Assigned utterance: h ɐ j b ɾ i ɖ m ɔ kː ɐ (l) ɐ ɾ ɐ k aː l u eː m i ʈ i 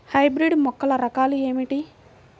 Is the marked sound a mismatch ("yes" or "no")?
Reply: no